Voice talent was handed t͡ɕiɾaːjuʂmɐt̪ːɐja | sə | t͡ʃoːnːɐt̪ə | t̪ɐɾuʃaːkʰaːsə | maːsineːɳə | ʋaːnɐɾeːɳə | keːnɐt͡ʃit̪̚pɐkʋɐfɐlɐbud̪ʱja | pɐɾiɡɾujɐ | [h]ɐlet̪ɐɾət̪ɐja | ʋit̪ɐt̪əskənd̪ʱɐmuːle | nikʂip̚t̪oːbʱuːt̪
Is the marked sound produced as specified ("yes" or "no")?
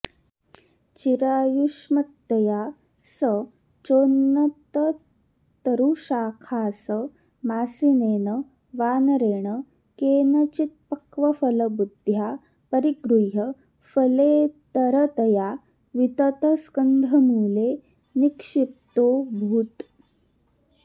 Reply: no